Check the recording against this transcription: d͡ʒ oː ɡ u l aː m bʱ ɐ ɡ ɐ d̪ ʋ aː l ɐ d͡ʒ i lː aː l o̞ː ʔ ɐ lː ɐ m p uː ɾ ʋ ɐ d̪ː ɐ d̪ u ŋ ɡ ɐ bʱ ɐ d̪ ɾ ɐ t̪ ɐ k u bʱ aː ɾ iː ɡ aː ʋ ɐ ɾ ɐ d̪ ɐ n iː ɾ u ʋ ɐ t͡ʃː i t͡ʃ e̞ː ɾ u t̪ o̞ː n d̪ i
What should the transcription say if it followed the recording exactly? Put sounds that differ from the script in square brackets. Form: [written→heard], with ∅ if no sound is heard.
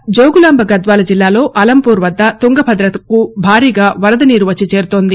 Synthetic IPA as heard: d͡ʒ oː ɡ u l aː m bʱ ɐ ɡ ɐ d̪ ʋ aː l ɐ d͡ʒ i lː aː l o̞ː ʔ ɐ [lː→l] ɐ m p uː ɾ ʋ ɐ d̪ː ɐ [d̪→t̪] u ŋ ɡ ɐ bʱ ɐ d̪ ɾ ɐ t̪ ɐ k u bʱ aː ɾ iː ɡ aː ʋ ɐ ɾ ɐ d̪ ɐ n iː ɾ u ʋ ɐ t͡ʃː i t͡ʃ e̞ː ɾ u t̪ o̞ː n d̪ i

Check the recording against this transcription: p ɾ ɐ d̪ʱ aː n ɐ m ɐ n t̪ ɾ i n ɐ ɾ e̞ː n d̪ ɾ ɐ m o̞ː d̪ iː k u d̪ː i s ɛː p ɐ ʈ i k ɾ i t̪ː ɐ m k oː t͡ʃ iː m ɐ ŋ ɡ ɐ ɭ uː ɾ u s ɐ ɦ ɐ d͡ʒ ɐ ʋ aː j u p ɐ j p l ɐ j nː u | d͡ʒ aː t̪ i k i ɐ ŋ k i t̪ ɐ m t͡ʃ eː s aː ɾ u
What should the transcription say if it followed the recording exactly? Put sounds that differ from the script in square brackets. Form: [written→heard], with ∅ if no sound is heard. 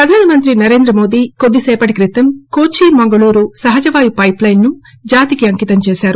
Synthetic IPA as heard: p ɾ ɐ d̪ʱ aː n ɐ m ɐ n t̪ ɾ i n ɐ ɾ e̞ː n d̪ ɾ ɐ m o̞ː d̪ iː k [u→o] d̪ː i s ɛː p ɐ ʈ i k ɾ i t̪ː ɐ m k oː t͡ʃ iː m ɐ ŋ ɡ ɐ ɭ uː ɾ u s ɐ ɦ ɐ d͡ʒ ɐ ʋ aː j u p ɐ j p l ɐ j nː u | d͡ʒ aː t̪ i k i ɐ ŋ k i t̪ ɐ m t͡ʃ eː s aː ɾ u

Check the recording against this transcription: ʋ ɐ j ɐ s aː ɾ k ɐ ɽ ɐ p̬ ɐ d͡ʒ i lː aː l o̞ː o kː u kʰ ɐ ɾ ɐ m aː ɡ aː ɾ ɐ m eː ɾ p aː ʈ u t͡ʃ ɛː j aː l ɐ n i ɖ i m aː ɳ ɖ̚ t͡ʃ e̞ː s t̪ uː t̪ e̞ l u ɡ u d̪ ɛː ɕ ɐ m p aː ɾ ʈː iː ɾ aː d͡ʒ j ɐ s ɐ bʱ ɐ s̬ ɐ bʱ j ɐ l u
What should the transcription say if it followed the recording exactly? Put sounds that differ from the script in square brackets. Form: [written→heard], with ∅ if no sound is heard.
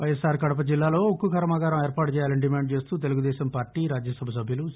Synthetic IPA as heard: ʋ ɐ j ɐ s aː ɾ k ɐ ɽ ɐ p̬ ɐ d͡ʒ i lː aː l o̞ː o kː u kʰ ɐ ɾ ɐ m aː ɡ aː ɾ ɐ m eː ɾ p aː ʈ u t͡ʃ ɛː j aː l ɐ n i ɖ i m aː ɳ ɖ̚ t͡ʃ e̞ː s t̪ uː t̪ e̞ l u ɡ u d̪ ɛː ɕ ɐ m p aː ɾ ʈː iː ɾ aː d͡ʒ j ɐ s ɐ bʱ ɐ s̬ ɐ bʱ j ɐ l u

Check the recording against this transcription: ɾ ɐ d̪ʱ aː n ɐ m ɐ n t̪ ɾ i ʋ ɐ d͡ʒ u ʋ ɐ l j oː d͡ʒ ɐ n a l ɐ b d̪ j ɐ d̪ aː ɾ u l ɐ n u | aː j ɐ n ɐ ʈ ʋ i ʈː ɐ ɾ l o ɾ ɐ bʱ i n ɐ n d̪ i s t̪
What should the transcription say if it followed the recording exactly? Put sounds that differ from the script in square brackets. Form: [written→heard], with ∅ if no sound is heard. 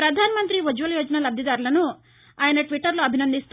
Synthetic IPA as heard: ɾ ɐ d̪ʱ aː n ɐ m ɐ n t̪ ɾ i ʋ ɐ d͡ʒ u ʋ ɐ l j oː d͡ʒ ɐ n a l ɐ b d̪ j ɐ d̪ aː ɾ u l ɐ n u | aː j ɐ n ɐ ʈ ʋ i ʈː ɐ ɾ l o [ɾ→∅] ɐ bʱ i n ɐ n d̪ i s t̪

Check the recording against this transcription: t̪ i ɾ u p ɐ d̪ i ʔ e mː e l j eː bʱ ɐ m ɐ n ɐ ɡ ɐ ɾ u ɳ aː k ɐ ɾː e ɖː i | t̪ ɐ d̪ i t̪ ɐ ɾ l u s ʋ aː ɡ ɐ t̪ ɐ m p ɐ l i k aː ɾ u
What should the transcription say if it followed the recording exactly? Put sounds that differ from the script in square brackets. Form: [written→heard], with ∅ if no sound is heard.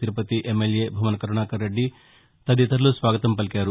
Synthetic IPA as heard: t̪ i ɾ u p ɐ [d̪→t̪] i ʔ e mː e l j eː bʱ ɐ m ɐ n ɐ [ɡ→k] ɐ ɾ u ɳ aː k ɐ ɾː e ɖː i | t̪ ɐ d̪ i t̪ ɐ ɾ l u s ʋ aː ɡ ɐ t̪ ɐ m p ɐ l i k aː ɾ u

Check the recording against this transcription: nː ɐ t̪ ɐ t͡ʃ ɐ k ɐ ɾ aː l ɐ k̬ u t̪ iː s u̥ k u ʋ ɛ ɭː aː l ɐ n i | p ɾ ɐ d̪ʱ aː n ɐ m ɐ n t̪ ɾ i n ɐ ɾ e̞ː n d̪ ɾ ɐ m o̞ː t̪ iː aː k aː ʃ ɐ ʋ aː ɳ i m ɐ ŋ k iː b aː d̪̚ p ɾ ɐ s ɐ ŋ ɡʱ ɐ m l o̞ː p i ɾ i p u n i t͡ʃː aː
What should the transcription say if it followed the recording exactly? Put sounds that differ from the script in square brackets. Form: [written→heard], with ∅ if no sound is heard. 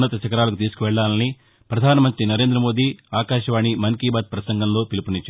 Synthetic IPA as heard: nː ɐ t̪ ɐ t͡ʃ ɐ k ɐ ɾ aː l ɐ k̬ u t̪ iː s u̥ k u ʋ ɛ ɭː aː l ɐ n i | p ɾ ɐ d̪ʱ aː n ɐ m ɐ n t̪ ɾ i n ɐ ɾ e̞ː n d̪ ɾ ɐ m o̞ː [t̪→d̪] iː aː k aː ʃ ɐ ʋ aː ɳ i m ɐ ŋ k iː b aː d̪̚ p ɾ ɐ s ɐ ŋ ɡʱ ɐ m l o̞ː p i [ɾ→l] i p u n i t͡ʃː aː

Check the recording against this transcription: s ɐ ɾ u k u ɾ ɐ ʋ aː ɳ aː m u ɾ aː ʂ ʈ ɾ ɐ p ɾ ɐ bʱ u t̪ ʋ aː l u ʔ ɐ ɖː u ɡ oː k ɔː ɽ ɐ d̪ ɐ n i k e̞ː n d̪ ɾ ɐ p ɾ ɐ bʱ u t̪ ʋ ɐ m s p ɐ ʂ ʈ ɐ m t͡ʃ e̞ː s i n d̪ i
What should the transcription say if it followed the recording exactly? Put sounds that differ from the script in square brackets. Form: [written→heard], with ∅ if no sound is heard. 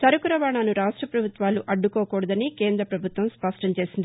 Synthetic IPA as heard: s ɐ ɾ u k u ɾ ɐ ʋ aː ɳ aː [m→n] u ɾ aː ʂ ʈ ɾ ɐ p ɾ ɐ bʱ u t̪ ʋ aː l u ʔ ɐ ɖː u [ɡ→k] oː k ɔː ɽ ɐ d̪ ɐ n i k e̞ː n d̪ ɾ ɐ p ɾ ɐ bʱ u t̪ ʋ ɐ m s p ɐ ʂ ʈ ɐ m t͡ʃ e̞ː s i n d̪ i

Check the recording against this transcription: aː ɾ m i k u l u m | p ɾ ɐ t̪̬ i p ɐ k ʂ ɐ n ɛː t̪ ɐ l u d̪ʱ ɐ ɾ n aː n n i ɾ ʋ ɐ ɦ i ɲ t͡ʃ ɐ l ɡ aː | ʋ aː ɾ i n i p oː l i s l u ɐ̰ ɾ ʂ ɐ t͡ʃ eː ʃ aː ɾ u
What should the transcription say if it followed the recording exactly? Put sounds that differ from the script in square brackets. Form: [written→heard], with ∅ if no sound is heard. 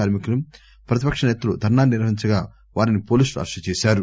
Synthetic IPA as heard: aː ɾ m i k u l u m | p ɾ ɐ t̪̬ i p ɐ k ʂ ɐ n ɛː t̪ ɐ l u d̪ʱ ɐ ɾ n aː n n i ɾ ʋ ɐ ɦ i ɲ t͡ʃ ɐ [l→∅] ɡ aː | ʋ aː ɾ i n i p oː l i s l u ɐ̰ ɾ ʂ ɐ t͡ʃ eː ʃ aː ɾ u

